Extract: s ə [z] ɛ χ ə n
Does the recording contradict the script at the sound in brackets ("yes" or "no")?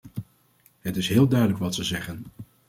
no